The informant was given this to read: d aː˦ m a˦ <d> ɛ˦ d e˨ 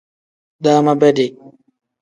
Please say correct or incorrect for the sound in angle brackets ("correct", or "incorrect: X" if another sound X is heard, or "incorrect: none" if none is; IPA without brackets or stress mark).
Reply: incorrect: b